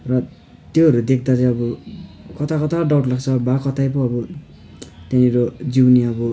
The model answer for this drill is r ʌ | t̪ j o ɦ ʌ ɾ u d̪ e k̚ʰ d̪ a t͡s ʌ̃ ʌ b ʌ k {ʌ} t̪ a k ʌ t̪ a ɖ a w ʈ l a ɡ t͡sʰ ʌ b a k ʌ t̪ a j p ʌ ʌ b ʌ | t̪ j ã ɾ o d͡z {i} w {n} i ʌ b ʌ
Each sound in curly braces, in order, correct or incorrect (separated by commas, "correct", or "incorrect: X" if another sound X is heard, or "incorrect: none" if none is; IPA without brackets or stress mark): correct, correct, correct